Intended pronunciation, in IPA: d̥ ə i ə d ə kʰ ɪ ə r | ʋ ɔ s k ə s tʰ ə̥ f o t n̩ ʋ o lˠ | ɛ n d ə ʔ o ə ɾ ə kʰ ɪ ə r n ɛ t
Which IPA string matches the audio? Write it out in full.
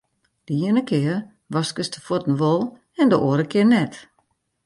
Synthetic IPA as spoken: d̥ ə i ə n ə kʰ ɪ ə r | ʋ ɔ s k ə s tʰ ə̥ f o t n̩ ʋ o lˠ | ɛ n d ə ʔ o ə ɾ ə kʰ ɪ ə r n ɛ t